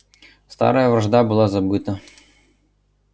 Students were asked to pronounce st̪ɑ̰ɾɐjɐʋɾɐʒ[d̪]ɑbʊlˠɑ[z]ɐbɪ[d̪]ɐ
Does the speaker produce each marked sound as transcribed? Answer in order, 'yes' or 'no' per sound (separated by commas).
yes, yes, no